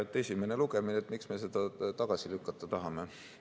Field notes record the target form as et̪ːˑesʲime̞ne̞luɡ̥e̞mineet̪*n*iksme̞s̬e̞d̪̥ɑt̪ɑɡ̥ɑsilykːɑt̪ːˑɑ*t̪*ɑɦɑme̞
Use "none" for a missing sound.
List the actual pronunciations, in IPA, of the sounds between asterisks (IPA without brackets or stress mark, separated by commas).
m, t̪